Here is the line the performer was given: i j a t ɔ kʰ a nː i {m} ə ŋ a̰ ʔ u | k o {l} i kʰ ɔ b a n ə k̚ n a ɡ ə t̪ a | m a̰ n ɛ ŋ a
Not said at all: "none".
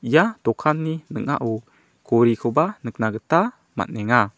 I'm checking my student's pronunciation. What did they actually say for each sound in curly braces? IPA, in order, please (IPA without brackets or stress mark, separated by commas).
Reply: n, ɾ